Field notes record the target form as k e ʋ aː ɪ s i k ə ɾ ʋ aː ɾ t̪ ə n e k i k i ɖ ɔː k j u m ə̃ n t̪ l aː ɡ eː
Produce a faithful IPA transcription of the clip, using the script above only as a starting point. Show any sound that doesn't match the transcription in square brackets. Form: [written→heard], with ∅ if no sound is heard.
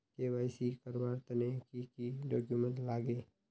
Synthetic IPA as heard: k e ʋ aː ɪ s i k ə ɾ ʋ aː ɾ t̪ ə n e k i k i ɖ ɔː k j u m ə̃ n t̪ l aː ɡ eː